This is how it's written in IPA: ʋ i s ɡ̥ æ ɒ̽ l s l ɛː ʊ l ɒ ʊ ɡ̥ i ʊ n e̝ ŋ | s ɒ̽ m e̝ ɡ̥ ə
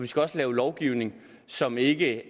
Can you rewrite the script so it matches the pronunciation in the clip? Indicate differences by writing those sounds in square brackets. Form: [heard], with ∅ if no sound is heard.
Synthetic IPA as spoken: ʋ i s ɡ̥ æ ɒ̽ [∅] s l ɛː ʊ l ɒ ʊ ɡ̥ i ʊ n e̝ ŋ | s ɒ̽ m e̝ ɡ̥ ə